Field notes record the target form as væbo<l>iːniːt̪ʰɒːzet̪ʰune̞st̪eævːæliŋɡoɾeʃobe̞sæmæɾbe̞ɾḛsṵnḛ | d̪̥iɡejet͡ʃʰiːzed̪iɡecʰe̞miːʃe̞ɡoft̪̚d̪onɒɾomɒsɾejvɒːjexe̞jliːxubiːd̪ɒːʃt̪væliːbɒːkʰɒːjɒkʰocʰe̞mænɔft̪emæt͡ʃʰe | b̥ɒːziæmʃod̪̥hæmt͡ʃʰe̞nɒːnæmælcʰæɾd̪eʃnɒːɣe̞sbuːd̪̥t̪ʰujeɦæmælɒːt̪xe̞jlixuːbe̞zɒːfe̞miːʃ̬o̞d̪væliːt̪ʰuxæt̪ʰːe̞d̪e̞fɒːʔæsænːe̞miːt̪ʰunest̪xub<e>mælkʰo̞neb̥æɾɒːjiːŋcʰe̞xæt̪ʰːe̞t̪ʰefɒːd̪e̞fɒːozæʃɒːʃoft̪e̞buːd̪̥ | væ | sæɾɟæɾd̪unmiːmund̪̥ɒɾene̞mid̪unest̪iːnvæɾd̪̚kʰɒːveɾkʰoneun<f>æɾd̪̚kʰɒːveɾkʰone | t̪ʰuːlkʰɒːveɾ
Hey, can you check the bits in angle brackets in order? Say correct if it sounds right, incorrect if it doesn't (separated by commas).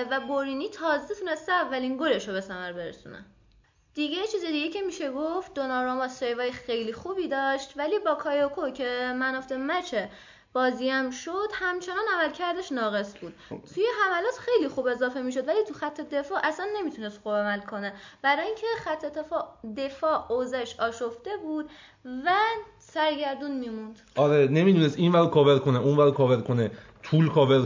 incorrect, incorrect, incorrect